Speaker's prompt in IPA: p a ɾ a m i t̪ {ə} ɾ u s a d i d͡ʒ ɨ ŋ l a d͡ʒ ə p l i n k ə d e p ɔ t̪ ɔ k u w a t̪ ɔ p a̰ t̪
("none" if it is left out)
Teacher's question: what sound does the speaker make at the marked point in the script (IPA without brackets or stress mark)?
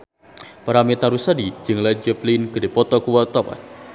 a